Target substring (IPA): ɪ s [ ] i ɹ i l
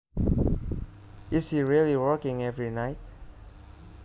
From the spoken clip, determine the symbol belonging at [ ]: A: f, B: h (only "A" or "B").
B